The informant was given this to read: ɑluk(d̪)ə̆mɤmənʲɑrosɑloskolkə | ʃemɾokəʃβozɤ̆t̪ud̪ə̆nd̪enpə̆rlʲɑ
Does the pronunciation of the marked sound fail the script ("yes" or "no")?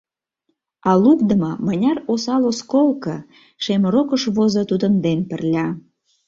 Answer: no